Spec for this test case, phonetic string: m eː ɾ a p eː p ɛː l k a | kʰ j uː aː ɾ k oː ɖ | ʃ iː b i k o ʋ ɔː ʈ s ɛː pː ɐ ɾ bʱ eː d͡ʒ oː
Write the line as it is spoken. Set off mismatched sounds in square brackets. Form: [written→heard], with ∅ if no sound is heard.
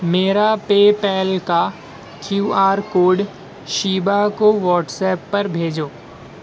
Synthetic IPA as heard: m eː ɾ a p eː p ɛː l k a | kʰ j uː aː ɾ k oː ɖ | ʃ iː b [i→a] k o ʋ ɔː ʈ s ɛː pː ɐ ɾ bʱ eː d͡ʒ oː

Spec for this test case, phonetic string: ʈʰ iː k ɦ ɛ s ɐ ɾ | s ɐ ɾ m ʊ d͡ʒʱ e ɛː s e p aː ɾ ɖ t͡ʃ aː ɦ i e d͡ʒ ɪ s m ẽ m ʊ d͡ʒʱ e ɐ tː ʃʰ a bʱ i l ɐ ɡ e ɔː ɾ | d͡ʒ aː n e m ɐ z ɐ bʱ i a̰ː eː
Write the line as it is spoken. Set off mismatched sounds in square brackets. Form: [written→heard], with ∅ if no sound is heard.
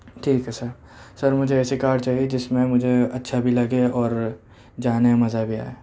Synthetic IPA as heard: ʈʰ iː k ɦ ɛ s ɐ ɾ | s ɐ ɾ m ʊ d͡ʒʱ e ɛː s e [p→k] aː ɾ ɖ t͡ʃ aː ɦ i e d͡ʒ ɪ s m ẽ m ʊ d͡ʒʱ e ɐ tː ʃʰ a bʱ i l ɐ ɡ e ɔː ɾ | d͡ʒ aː n e m ɐ z [ɐ→a] bʱ i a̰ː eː

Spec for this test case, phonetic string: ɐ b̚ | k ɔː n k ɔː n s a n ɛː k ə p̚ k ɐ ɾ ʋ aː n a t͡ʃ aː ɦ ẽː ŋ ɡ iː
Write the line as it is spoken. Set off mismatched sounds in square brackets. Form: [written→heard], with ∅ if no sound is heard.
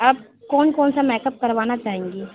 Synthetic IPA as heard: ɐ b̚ | k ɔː n k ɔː n s a [n→m] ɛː k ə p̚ k ɐ ɾ ʋ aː n a t͡ʃ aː ɦ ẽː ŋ ɡ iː

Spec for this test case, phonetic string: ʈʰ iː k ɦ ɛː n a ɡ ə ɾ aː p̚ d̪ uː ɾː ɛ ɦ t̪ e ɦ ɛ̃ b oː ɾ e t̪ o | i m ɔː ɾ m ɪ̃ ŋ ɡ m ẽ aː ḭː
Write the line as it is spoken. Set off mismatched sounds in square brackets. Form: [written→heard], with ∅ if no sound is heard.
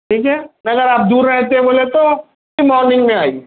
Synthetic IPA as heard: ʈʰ iː k ɦ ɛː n [a→ɐ] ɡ ə ɾ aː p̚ d̪ uː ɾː ɛ ɦ t̪ e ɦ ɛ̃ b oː [ɾ→l] e t̪ o | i m ɔː ɾ [m→n] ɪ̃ ŋ ɡ m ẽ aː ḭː

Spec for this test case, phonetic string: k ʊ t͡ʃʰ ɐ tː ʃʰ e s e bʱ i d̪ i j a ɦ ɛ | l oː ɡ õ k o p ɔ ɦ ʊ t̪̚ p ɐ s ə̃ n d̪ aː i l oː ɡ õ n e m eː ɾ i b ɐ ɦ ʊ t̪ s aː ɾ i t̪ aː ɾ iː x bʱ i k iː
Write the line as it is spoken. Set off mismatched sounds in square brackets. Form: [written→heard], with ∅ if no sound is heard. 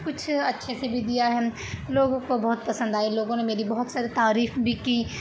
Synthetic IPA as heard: k ʊ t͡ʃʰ ɐ tː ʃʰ e s e bʱ i d̪ i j a ɦ ɛ | l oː ɡ õ k o [p→b] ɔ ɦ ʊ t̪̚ p ɐ s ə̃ n d̪ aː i l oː ɡ õ n e m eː ɾ i b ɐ ɦ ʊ t̪ s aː ɾ i t̪ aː ɾ iː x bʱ i k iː

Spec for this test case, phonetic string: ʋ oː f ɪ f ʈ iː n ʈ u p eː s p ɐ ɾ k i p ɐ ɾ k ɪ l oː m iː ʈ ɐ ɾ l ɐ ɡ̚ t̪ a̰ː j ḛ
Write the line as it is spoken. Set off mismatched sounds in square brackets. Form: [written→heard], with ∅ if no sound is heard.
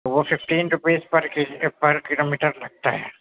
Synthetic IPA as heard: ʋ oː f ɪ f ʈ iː n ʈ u p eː s p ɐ ɾ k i p ɐ ɾ k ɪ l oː m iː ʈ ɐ ɾ l ɐ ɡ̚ t̪ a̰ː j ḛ

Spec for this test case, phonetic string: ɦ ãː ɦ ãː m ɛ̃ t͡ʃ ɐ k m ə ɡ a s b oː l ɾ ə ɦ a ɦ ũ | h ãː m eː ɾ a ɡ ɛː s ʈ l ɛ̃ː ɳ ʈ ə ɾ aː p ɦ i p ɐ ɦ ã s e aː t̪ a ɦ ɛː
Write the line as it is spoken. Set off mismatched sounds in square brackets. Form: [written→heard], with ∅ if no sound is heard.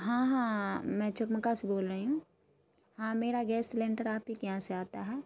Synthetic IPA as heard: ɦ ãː ɦ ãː m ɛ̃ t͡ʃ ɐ k m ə [ɡ→k] a s b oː l ɾ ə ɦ [a→i] ɦ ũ | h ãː m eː ɾ a ɡ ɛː s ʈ l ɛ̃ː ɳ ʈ ə ɾ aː p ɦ i [p→k] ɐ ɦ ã s e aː t̪ a ɦ ɛː

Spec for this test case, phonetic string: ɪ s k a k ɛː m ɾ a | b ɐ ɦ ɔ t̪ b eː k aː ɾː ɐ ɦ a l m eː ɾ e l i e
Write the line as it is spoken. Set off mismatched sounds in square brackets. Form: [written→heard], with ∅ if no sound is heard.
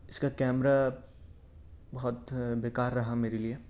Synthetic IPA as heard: ɪ s k a k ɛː m ɾ a | b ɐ ɦ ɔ t̪ b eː k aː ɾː ɐ ɦ a [l→∅] m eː ɾ e l i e

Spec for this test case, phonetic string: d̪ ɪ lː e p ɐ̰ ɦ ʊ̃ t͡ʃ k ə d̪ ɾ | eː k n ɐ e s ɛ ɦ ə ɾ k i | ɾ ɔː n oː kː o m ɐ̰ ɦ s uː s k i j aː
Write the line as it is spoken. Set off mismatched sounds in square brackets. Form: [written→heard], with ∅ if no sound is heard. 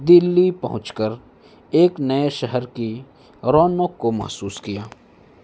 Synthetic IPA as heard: d̪ ɪ lː [e→i] p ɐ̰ ɦ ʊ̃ t͡ʃ k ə [d̪→∅] ɾ | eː k n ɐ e [s→ʃ] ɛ ɦ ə ɾ k i | ɾ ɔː n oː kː o m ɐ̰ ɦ s uː s k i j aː

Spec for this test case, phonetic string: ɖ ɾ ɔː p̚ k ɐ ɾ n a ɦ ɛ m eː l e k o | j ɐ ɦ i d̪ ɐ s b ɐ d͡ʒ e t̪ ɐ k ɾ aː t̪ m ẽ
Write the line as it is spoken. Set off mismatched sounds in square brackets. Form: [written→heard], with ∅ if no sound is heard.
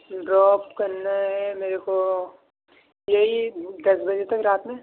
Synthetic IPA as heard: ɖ ɾ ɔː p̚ k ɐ ɾ n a ɦ ɛ m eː [l→ɾ] e k o | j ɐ ɦ i d̪ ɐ s b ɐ d͡ʒ e t̪ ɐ k ɾ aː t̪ m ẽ

